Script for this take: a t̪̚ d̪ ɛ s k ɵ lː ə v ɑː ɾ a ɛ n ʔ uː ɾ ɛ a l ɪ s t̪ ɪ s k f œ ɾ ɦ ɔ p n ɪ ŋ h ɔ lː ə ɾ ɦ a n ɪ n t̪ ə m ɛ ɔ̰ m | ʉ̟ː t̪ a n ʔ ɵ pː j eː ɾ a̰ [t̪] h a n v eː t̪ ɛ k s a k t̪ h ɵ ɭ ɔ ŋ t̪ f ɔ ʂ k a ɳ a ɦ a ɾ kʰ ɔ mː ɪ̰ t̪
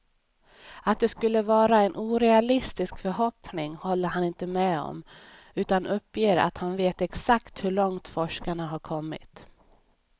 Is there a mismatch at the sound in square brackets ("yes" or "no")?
no